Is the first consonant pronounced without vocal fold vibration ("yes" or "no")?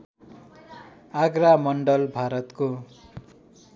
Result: no